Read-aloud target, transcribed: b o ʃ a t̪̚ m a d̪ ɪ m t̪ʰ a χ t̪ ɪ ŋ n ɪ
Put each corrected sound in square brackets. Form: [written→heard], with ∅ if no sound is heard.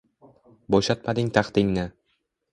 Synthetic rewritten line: b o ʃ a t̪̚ m a d̪ ɪ [m→ŋ] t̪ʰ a χ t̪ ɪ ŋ n ɪ